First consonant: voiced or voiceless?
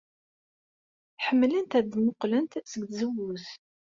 voiceless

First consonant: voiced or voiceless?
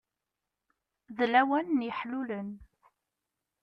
voiced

